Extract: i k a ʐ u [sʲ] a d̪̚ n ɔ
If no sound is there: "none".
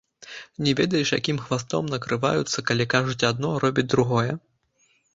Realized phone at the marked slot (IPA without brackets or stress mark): t͡sʲ